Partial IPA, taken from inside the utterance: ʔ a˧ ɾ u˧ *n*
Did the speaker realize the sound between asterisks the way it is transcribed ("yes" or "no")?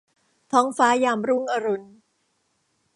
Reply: yes